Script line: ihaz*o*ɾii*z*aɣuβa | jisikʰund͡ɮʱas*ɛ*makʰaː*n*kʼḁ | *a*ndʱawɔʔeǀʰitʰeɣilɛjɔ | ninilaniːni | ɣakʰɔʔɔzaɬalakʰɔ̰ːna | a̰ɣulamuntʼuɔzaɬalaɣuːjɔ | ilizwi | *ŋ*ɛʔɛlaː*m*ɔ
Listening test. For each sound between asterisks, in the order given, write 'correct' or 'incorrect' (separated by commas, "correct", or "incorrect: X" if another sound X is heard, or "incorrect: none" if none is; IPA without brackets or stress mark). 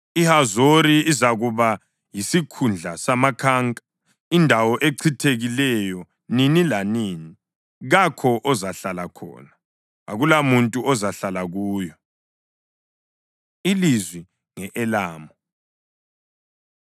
correct, correct, incorrect: a, incorrect: ŋ, incorrect: i, correct, correct